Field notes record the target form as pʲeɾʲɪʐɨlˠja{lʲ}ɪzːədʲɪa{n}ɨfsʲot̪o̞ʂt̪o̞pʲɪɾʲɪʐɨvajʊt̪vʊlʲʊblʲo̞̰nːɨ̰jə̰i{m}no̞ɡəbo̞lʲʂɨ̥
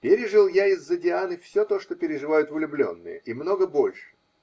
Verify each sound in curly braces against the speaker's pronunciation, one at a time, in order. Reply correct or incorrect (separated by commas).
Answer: incorrect, correct, correct